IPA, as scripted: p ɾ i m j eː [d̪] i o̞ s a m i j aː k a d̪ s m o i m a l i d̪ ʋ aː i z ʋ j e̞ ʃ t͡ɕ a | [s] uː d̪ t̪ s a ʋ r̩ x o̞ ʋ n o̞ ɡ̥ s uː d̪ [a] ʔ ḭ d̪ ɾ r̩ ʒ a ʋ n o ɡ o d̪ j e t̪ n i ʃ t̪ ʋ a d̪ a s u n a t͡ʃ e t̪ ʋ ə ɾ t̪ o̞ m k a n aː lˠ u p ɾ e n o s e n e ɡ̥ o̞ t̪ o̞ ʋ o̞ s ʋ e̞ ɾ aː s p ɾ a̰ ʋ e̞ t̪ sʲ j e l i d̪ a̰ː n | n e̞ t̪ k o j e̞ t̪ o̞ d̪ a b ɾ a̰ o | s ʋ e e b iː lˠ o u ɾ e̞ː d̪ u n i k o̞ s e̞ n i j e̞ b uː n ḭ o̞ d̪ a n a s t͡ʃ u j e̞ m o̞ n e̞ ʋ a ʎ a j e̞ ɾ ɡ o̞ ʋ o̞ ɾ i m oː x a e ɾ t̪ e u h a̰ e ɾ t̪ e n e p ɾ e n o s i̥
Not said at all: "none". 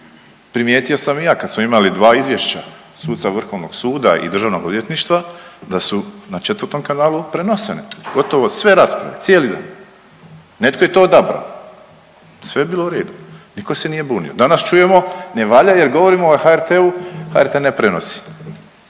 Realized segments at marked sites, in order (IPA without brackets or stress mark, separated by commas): t̪, s, a